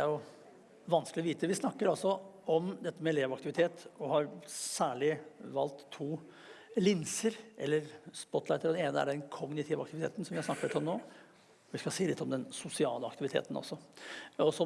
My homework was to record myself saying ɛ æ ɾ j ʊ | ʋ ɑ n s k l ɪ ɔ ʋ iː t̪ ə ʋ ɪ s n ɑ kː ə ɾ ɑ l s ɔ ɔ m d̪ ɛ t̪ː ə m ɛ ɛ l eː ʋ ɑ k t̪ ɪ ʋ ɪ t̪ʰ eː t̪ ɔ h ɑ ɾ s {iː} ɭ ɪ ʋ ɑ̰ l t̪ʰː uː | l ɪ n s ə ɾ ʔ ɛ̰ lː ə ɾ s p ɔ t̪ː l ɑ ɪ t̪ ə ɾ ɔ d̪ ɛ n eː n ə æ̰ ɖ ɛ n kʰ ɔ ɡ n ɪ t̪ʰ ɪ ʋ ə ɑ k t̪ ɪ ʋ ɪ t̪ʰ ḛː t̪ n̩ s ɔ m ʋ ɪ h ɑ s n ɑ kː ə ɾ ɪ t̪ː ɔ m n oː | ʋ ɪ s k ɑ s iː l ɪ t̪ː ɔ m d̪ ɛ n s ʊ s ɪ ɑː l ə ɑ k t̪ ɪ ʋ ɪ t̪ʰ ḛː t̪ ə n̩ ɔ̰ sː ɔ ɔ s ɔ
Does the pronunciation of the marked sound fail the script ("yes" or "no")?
yes